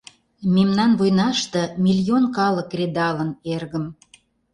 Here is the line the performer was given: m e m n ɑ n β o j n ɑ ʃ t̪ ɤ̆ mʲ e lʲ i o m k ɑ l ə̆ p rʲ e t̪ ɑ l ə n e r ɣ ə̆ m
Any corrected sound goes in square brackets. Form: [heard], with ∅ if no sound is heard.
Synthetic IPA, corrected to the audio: m e m n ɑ n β o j n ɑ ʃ t̪ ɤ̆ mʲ [i] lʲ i o [n] k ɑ l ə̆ [k] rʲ e [d̪] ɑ l ə n e r ɣ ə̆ m